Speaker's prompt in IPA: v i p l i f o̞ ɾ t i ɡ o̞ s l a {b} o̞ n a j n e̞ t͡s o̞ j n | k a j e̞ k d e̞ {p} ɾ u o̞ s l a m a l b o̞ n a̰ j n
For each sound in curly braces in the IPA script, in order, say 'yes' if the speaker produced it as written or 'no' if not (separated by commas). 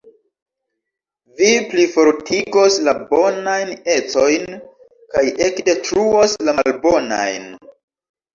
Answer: yes, no